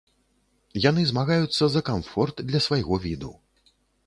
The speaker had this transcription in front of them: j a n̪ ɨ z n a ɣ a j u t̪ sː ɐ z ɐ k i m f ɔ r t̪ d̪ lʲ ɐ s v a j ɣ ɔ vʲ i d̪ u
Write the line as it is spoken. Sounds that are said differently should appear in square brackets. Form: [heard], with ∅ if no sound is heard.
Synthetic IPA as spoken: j a n̪ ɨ z [m] a ɣ a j u t̪ sː ɐ z ɐ k [a] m f ɔ r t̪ d̪ lʲ ɐ s v a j ɣ ɔ vʲ i d̪ u

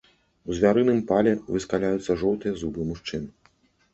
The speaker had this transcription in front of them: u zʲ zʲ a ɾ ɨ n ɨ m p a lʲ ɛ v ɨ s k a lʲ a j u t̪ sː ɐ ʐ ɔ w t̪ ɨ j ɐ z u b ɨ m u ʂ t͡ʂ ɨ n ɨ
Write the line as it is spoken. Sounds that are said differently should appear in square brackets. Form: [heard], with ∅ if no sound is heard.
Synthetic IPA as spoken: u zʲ [vʲ] a ɾ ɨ n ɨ m p a lʲ ɛ v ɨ s k a lʲ a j u t̪ sː ɐ ʐ ɔ w t̪ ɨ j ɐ z u b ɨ m u ʂ t͡ʂ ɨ n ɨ

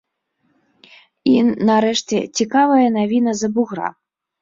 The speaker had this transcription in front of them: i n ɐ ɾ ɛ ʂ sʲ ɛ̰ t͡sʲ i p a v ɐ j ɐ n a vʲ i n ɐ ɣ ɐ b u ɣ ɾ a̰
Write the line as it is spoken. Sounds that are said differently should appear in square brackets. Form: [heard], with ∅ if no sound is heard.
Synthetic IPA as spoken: i n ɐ ɾ ɛ ʂ [t͡sʲ] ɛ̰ t͡sʲ i [k] a v ɐ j ɐ n a vʲ i n ɐ [z] ɐ b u ɣ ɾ a̰

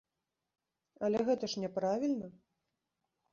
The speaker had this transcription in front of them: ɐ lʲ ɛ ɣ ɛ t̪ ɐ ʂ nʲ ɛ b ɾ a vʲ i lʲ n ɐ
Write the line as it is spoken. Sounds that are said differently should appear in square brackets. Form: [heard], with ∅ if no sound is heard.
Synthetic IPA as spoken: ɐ lʲ ɛ ɣ ɛ t̪ ɐ ʂ nʲ ɛ [p] ɾ a vʲ i lʲ n ɐ

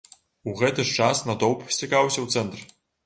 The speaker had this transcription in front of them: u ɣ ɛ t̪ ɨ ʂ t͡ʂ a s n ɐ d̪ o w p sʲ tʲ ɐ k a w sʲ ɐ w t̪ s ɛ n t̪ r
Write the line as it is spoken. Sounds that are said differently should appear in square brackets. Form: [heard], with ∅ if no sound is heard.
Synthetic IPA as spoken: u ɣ ɛ t̪ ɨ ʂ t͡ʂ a s n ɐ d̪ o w p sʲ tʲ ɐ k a w sʲ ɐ w t̪ s ɛ n t̪ r

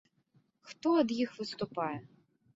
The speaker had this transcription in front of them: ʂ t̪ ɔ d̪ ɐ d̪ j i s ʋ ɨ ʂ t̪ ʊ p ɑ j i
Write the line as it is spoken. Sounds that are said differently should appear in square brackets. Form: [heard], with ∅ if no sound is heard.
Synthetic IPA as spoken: [x] t̪ ɔ [∅] ɐ d̪ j i [x] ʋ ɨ [s] t̪ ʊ p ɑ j [ɛ]

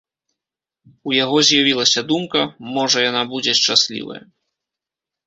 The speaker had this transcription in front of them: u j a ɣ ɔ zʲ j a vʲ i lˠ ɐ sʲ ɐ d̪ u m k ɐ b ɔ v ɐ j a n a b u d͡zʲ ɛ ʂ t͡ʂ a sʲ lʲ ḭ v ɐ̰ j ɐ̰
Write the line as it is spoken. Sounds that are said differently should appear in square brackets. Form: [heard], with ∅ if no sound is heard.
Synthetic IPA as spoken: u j a ɣ ɔ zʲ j a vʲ i lˠ ɐ sʲ ɐ d̪ u m k ɐ [m] ɔ [ʐ] ɐ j a n a b u d͡zʲ ɛ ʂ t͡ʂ a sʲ lʲ ḭ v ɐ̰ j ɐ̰

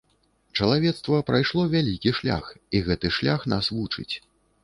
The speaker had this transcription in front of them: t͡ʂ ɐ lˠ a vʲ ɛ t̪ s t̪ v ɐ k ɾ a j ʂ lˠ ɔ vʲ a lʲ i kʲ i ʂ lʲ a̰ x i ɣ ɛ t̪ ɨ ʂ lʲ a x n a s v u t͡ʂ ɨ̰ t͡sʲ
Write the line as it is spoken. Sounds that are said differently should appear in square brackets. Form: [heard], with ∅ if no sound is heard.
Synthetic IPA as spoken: t͡ʂ ɐ lˠ a vʲ ɛ t̪ s t̪ v ɐ [p] ɾ a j ʂ lˠ ɔ vʲ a lʲ i kʲ i ʂ lʲ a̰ x i ɣ ɛ t̪ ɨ ʂ lʲ a x n a s v u t͡ʂ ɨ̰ t͡sʲ

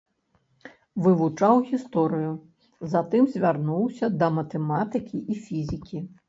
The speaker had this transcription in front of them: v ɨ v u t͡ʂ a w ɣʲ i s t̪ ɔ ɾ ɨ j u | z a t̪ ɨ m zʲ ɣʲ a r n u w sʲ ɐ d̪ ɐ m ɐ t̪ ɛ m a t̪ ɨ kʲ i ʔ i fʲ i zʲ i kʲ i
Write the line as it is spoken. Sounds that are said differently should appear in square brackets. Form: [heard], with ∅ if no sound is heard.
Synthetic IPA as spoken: v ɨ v u t͡ʂ a w ɣʲ i s t̪ ɔ ɾ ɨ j u | z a t̪ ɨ m zʲ [vʲ] a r n u w sʲ ɐ d̪ ɐ m ɐ t̪ ɛ m a t̪ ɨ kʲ i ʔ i fʲ i zʲ i kʲ i

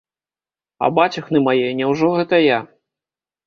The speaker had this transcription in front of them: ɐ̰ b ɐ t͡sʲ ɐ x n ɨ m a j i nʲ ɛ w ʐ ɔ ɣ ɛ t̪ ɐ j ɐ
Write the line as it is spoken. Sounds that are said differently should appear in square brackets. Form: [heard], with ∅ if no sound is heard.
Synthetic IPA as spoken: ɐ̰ b [a] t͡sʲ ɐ x n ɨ m a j [ɛ] nʲ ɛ w ʐ ɔ ɣ ɛ t̪ ɐ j [a]

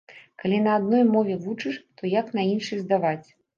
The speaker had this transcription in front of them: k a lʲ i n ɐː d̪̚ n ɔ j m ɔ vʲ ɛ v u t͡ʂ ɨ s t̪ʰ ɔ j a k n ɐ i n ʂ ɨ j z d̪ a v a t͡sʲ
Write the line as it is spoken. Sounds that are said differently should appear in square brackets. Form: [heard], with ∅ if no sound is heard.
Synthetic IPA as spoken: k a lʲ i n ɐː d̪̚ n ɔ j m ɔ vʲ ɛ v u t͡ʂ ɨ [ʂ] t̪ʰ ɔ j a k n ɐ i n ʂ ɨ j z d̪ a v a t͡sʲ

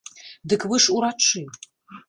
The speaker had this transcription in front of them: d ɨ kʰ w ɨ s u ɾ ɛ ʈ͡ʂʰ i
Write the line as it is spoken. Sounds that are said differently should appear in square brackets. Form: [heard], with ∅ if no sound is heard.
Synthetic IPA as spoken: d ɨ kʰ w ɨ [ʂ] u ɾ [a] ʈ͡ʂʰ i

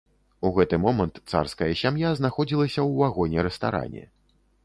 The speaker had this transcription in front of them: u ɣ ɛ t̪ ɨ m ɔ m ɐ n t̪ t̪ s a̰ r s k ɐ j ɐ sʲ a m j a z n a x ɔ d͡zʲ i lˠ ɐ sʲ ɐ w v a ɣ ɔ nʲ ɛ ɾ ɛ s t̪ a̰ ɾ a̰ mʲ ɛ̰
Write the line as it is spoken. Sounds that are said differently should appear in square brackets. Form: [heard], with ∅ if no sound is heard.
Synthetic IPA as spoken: u ɣ ɛ t̪ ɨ m ɔ m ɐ n t̪ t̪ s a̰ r s k ɐ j ɐ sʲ a m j a z n a x ɔ d͡zʲ i lˠ ɐ sʲ ɐ w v a ɣ ɔ nʲ ɛ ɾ ɛ s t̪ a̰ ɾ a̰ [nʲ] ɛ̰

